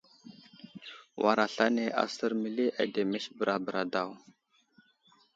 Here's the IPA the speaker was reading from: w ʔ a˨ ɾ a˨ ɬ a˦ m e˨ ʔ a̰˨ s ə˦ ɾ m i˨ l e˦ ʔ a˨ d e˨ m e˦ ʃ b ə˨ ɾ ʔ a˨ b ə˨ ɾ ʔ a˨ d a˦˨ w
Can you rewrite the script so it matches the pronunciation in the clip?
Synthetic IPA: w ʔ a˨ ɾ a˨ ɬ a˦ n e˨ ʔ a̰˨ s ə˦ ɾ m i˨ l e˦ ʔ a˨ d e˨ m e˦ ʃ b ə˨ ɾ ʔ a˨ b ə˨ ɾ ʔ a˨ d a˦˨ w

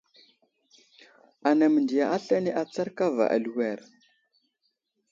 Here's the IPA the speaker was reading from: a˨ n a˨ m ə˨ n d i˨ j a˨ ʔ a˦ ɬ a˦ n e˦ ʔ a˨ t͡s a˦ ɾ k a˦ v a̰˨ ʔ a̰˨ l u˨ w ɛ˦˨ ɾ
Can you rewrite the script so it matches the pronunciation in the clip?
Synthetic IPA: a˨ n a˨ m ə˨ n d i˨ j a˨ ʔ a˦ ɬ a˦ n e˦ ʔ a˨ t͡s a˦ ɾ k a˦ v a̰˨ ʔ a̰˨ l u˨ w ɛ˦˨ ɾ

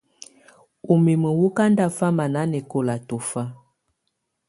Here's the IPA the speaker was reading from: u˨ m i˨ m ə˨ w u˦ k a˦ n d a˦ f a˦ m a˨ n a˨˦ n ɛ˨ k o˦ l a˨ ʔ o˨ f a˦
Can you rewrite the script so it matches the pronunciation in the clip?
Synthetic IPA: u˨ m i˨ m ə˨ w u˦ k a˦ n d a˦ f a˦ m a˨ n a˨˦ n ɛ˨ k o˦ l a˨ t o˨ f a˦

